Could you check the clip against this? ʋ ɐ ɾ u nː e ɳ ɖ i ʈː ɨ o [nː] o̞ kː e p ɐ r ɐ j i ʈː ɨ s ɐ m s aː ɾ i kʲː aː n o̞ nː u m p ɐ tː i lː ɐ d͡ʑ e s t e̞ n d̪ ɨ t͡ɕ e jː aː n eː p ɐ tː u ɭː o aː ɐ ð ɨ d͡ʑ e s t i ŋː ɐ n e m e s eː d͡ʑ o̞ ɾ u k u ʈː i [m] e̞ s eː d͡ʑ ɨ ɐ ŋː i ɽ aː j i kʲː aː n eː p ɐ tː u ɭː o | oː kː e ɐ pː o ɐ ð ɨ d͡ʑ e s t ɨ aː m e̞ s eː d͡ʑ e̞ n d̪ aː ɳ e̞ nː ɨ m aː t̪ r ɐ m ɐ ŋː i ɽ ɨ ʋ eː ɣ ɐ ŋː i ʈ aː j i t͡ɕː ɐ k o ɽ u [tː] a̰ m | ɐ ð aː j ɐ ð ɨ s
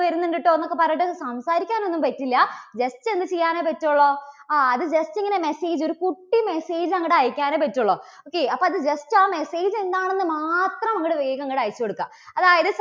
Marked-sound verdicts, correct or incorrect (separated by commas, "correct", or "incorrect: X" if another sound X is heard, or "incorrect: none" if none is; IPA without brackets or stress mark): correct, correct, incorrect: kː